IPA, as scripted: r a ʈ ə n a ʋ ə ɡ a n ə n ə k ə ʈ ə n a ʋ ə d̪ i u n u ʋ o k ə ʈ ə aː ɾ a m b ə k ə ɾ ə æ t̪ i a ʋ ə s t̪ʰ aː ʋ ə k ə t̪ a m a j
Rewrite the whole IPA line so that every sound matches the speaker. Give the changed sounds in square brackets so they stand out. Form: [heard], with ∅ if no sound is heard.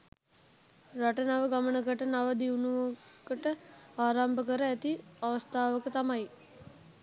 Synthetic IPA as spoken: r a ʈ ə n a ʋ ə ɡ a [m] ə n ə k ə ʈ ə n a ʋ ə d̪ i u n u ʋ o k ə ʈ ə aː ɾ a m b ə k ə ɾ ə æ t̪ i a ʋ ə s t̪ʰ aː ʋ ə k ə t̪ a m a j